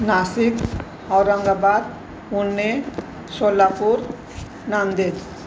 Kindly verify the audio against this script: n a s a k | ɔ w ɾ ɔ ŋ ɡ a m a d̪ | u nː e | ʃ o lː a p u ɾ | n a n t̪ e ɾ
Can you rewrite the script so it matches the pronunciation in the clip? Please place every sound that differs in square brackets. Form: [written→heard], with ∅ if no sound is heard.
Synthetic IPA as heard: n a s [a→i] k | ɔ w ɾ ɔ ŋ ɡ a [m→b] a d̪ | u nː e | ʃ o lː a p u ɾ | n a n [t̪→d̪] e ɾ